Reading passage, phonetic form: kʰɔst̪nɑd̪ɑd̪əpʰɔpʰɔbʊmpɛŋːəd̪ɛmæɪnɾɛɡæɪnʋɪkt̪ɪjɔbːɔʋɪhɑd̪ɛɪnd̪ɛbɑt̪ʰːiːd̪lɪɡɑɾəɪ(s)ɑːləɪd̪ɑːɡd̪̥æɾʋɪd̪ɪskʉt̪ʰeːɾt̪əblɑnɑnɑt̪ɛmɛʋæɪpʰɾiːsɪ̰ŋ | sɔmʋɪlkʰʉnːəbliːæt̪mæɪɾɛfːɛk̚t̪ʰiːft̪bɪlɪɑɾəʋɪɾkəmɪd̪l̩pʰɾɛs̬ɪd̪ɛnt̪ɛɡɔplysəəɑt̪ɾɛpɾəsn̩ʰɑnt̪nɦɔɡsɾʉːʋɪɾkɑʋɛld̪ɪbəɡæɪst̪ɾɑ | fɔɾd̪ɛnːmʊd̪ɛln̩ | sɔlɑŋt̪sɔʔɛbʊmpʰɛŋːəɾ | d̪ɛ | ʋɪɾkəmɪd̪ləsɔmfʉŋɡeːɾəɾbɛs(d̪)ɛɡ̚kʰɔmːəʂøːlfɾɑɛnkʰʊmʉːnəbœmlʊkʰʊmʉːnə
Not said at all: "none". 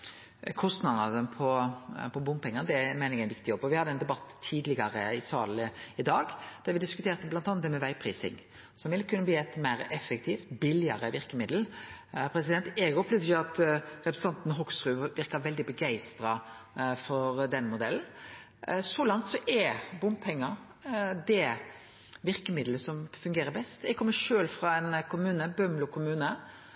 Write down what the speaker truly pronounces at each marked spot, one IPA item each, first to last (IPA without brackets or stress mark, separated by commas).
s, t̪